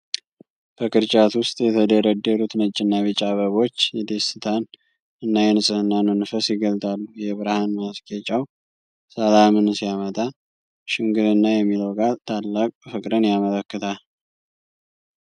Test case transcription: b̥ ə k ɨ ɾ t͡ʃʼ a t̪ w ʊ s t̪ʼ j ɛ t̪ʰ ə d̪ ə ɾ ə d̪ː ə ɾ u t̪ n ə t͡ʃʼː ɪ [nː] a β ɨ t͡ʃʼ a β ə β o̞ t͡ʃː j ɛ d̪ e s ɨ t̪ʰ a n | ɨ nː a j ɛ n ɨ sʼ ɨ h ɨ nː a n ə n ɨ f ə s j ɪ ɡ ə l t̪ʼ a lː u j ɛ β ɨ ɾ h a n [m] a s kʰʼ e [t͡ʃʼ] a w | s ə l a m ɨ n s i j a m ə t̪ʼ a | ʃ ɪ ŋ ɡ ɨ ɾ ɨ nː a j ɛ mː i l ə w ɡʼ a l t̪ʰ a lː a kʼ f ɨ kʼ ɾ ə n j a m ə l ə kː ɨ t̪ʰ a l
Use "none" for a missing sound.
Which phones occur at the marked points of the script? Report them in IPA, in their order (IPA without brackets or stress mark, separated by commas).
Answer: nː, m, t͡ʃʼ